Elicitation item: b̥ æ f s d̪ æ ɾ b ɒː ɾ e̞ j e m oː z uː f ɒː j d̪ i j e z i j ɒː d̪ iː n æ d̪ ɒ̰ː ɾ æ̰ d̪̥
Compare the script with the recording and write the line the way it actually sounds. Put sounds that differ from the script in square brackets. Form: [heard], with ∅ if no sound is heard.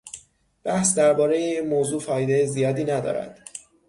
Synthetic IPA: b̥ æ [h] s d̪ æ ɾ b ɒː ɾ e̞ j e m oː z uː f ɒː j d̪ [e] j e z i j ɒː d̪ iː n æ d̪ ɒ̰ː ɾ æ̰ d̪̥